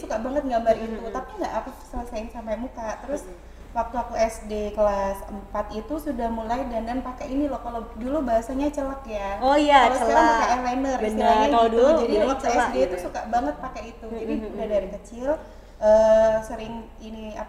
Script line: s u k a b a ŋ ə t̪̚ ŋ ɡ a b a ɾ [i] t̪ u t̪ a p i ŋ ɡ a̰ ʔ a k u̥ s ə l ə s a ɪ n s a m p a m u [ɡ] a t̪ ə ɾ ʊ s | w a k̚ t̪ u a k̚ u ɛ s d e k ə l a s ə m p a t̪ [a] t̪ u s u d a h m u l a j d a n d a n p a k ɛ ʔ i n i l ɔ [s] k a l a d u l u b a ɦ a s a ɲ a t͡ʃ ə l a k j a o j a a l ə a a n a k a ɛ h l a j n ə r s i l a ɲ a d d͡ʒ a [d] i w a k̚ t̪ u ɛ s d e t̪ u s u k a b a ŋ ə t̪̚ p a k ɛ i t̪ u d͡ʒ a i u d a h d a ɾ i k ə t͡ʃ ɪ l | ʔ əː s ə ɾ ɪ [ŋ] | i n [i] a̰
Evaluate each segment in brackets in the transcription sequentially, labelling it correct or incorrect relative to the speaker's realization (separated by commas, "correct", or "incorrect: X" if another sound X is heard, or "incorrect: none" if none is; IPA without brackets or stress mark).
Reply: correct, incorrect: k, incorrect: i, incorrect: h, correct, correct, correct